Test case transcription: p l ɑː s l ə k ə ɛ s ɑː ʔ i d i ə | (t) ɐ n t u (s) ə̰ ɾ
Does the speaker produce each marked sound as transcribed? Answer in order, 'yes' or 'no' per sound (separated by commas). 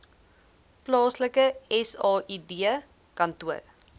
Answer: no, no